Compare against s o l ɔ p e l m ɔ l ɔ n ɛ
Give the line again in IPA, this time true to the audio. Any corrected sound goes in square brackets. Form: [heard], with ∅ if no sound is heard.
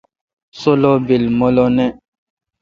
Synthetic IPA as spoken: s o l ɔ [b] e l m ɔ l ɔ n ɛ